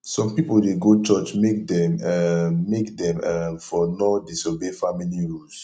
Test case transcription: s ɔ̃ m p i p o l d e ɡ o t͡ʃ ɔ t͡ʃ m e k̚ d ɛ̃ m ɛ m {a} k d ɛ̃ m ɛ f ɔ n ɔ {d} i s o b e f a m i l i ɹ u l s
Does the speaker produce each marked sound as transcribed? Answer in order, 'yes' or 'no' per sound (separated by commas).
no, yes